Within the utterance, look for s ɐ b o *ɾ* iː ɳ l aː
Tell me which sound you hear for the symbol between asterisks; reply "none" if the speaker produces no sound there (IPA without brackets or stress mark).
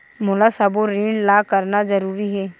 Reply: ɾ